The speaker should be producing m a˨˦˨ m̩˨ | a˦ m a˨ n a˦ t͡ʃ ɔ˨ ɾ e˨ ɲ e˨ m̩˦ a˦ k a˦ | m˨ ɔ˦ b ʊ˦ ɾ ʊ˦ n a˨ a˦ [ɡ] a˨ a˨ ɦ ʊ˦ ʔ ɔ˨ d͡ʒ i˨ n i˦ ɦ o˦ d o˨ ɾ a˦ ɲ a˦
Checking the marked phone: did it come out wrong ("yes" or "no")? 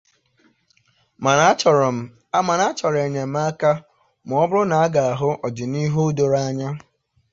no